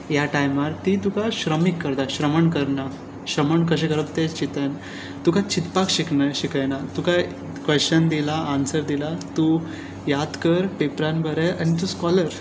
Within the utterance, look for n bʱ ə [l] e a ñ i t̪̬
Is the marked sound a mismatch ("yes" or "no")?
yes